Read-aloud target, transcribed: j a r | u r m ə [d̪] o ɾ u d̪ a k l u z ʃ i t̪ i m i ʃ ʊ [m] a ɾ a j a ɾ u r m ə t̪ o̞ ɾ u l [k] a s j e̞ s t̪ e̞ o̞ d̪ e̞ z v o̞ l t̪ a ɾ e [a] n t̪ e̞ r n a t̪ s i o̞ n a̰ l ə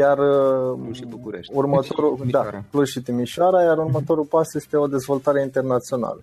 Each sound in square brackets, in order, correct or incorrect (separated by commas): incorrect, incorrect, incorrect, incorrect